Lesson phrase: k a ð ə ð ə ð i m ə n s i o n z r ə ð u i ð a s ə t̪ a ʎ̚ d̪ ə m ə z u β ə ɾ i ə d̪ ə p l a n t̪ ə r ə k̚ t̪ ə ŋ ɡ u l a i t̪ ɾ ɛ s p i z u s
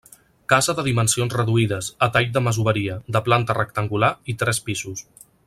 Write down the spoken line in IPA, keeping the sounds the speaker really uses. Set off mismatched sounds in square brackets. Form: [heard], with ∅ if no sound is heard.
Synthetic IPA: k a [z] ə ð ə ð i m ə n s i o n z r ə ð u i ð [ə] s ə t̪ a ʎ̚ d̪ ə m ə z u β ə ɾ i ə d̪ ə p l a n t̪ ə r ə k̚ t̪ ə ŋ ɡ u l a i t̪ ɾ ɛ s p i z u s